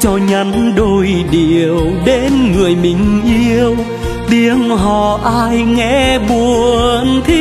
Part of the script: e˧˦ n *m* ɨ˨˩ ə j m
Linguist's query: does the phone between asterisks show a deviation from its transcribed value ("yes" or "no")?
yes